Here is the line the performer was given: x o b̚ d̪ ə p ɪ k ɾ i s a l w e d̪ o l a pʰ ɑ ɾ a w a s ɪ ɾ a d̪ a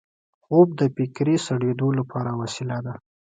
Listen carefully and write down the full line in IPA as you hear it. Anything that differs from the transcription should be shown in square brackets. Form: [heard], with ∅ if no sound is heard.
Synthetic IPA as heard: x o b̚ d̪ ə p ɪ k ɾ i s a [ɽ] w e d̪ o l a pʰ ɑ ɾ a w a s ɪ [l] a d̪ a